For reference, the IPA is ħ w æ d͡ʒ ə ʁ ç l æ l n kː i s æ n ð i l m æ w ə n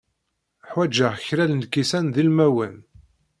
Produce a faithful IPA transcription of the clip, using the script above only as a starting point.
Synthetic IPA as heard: ħ w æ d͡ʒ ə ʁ ç ɾ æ l n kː i s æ n ð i l m æ w ə n